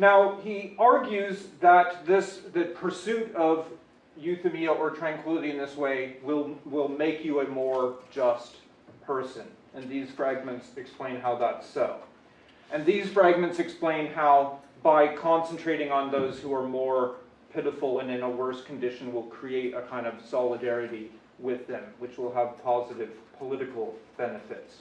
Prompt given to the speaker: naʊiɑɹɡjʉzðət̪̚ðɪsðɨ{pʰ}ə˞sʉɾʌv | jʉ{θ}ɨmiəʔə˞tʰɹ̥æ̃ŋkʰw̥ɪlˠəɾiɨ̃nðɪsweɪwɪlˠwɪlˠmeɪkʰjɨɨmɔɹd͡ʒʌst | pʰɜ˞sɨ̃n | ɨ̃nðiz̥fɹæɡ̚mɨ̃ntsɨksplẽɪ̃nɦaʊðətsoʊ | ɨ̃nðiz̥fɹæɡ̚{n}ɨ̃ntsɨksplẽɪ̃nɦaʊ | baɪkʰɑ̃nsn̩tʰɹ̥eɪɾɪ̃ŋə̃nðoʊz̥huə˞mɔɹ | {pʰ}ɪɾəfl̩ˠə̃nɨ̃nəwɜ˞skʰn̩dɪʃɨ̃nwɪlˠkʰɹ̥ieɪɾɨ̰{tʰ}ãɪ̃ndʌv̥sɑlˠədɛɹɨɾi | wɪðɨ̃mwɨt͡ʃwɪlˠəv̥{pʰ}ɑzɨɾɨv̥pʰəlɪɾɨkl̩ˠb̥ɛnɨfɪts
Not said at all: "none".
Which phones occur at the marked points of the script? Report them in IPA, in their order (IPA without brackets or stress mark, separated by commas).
pʰ, θ, m, pʰ, kʰ, pʰ